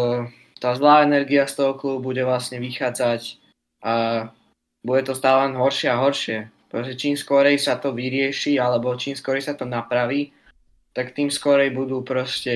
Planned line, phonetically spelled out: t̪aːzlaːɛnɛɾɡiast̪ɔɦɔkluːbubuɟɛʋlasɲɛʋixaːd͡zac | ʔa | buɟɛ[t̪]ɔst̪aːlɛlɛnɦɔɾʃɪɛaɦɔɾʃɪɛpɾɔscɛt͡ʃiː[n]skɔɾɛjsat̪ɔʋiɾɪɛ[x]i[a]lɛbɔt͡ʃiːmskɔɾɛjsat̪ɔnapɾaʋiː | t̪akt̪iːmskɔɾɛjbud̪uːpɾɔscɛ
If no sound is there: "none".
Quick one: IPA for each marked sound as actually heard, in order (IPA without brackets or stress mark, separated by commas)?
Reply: t̪, m, ʃ, a